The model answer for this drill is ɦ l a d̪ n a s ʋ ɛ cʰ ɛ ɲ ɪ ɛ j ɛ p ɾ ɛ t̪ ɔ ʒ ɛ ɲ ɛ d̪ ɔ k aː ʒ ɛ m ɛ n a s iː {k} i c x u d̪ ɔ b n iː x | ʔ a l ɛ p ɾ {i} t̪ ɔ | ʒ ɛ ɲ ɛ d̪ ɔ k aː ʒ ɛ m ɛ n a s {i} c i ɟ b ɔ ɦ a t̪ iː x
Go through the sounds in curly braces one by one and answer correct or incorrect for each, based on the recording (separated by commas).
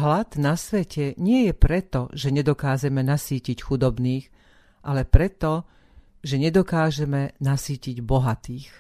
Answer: incorrect, incorrect, incorrect